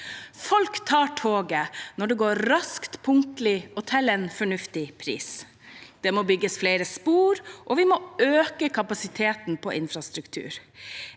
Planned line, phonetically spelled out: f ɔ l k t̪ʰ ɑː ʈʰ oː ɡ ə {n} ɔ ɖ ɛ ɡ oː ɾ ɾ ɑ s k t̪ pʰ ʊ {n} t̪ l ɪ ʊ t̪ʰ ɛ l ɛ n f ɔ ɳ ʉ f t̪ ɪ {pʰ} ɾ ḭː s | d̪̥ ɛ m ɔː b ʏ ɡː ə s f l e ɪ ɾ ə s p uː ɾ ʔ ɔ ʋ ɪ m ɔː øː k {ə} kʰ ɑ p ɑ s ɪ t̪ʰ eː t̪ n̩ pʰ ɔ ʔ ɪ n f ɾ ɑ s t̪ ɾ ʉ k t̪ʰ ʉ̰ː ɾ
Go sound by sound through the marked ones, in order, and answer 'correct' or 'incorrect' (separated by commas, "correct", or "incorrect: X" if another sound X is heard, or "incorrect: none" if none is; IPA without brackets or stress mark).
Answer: correct, incorrect: ŋ, correct, correct